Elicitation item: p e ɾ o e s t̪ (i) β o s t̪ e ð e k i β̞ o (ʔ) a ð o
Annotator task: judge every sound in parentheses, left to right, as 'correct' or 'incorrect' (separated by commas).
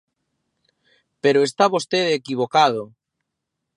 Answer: incorrect, incorrect